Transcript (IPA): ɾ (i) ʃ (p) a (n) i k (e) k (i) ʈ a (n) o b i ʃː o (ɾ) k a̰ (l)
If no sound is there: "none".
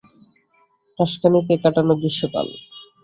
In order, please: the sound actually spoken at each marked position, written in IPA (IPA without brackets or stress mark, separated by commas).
a, k, n, e, a, n, none, l